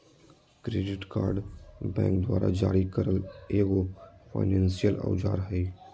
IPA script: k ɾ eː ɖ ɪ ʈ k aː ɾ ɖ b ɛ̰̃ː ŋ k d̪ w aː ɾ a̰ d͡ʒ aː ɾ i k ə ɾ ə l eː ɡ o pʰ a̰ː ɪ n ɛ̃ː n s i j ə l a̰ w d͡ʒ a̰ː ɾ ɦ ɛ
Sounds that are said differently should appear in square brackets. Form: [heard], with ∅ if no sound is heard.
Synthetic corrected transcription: k ɾ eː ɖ ɪ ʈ k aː ɾ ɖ b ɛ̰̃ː ŋ k d̪ w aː ɾ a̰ d͡ʒ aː ɾ i k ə ɾ ə l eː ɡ o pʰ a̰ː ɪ n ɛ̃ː n s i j ə l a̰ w d͡ʒ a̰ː ɾ ɦ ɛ